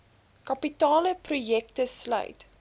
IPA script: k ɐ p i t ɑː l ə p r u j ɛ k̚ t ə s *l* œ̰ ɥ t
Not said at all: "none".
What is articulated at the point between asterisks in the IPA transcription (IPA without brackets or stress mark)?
l